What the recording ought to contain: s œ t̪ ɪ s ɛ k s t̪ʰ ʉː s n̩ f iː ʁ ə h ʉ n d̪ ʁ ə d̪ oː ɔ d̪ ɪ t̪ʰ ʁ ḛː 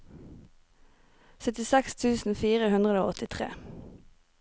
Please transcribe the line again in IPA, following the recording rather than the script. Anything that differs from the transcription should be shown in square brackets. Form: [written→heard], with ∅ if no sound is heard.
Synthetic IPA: s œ t̪ ɪ s ɛ k s t̪ʰ ʉː s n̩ f iː ʁ ə h ʉ n d̪ ʁ ə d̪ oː ɔ [d̪→t̪] ɪ t̪ʰ ʁ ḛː